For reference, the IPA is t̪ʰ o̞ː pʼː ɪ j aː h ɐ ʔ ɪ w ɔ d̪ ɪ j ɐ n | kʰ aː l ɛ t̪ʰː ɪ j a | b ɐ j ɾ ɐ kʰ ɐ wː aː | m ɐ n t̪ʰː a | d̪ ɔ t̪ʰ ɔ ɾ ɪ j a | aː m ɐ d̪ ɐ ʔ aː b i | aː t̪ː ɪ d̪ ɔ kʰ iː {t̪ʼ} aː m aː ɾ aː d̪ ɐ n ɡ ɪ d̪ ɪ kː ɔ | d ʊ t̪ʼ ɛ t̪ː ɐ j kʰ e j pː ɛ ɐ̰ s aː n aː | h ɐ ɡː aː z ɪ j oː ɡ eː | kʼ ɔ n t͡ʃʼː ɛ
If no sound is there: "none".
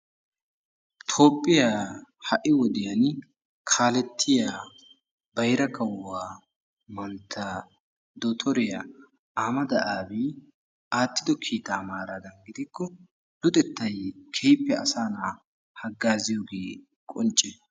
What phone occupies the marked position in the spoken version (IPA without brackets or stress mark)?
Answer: t̪